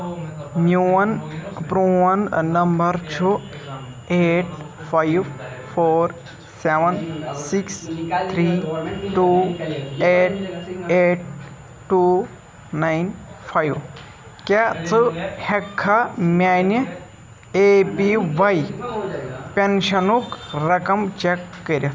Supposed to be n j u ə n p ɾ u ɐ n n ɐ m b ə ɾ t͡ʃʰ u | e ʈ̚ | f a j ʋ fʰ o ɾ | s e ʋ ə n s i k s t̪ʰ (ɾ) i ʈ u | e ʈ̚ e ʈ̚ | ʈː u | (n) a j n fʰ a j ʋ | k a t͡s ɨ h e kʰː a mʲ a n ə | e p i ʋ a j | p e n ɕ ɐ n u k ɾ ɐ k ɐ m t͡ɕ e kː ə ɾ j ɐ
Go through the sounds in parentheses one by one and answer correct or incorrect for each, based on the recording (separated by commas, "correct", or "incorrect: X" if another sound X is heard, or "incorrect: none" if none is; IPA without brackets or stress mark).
correct, correct